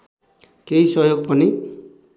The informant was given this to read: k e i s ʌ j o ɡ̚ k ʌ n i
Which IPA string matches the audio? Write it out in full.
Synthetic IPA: k e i s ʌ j o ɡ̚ p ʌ n i